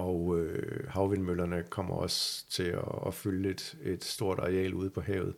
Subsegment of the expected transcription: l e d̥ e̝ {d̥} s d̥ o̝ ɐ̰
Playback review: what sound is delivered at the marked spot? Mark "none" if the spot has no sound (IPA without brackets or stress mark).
d̥